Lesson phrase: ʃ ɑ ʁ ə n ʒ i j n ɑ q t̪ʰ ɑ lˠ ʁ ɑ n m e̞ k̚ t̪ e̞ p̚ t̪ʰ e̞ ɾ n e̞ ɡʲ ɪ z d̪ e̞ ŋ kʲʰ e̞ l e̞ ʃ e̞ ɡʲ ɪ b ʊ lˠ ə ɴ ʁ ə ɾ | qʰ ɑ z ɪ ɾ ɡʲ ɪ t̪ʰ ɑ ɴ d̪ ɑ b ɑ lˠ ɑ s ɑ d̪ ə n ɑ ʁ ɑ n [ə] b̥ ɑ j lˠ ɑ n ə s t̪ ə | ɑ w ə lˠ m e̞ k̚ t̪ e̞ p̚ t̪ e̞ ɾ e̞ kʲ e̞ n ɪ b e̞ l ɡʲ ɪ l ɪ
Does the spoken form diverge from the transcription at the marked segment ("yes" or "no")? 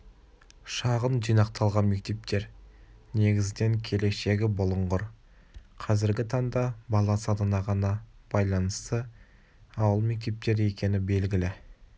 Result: yes